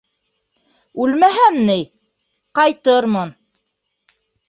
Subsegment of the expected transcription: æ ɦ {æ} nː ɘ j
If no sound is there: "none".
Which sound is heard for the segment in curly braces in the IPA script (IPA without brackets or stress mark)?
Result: æ